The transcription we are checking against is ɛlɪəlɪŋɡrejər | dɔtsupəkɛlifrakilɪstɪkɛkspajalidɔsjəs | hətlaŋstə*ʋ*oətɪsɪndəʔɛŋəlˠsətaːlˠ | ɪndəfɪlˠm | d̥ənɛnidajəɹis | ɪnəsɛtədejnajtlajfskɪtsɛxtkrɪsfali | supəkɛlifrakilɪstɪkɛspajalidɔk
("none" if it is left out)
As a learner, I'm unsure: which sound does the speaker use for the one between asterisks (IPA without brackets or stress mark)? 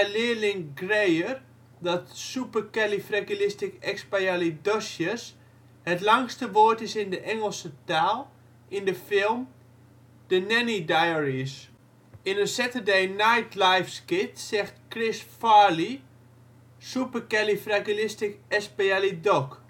ʋ